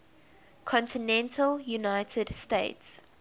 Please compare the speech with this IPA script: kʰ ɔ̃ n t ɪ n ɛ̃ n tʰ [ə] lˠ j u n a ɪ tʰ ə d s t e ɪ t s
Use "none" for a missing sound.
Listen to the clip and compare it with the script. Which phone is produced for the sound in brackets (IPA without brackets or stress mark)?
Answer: ə